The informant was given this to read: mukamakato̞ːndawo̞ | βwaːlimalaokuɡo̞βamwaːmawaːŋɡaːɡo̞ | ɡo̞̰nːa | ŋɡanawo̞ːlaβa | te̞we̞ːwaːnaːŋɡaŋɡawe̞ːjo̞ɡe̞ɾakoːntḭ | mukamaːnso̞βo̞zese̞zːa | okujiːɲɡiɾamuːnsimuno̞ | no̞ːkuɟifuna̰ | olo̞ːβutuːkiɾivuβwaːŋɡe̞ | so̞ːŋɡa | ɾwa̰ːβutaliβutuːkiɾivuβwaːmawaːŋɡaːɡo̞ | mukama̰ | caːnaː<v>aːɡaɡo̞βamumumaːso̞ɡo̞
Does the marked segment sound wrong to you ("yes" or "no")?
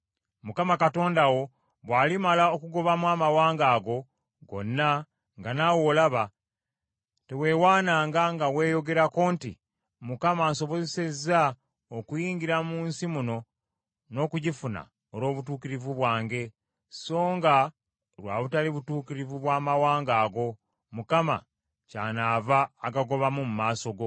no